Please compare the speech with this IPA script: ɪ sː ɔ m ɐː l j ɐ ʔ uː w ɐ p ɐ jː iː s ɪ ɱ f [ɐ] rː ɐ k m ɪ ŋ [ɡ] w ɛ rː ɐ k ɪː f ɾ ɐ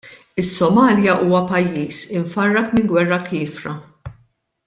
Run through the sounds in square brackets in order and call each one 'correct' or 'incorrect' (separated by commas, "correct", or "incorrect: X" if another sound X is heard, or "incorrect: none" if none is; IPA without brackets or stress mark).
correct, correct